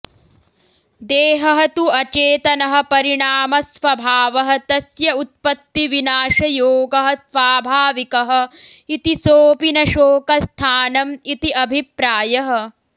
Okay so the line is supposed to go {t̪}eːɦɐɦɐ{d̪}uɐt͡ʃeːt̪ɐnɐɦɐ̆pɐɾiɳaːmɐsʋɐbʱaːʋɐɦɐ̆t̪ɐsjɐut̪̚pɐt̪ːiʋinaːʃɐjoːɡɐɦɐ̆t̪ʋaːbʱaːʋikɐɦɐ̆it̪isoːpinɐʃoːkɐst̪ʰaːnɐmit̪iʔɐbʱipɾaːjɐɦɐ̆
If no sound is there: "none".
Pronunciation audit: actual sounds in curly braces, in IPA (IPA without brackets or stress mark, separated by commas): d̪, t̪